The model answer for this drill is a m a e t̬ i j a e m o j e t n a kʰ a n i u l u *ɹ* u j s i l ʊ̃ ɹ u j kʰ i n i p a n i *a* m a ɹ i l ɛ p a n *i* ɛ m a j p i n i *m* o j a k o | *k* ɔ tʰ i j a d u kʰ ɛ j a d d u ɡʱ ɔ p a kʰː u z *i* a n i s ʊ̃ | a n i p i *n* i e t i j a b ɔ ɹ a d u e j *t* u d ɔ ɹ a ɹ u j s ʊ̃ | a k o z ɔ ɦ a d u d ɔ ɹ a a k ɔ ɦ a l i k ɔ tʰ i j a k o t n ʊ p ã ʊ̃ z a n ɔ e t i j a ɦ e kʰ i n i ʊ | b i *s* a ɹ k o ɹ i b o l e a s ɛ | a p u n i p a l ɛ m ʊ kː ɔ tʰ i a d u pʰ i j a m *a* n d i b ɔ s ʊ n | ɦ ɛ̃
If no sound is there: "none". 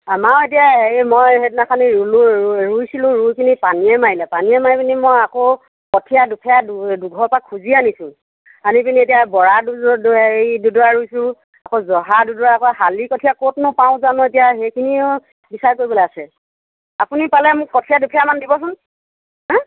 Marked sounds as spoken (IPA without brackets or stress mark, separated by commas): ɹ, ɛ, i, m, k, i, n, d, s, a